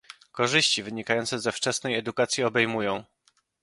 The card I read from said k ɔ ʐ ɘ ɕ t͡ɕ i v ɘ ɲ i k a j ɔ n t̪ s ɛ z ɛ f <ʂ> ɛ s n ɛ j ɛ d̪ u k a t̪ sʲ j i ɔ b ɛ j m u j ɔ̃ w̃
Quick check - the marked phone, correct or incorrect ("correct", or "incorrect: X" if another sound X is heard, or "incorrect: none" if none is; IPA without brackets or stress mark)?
incorrect: t͡ʂ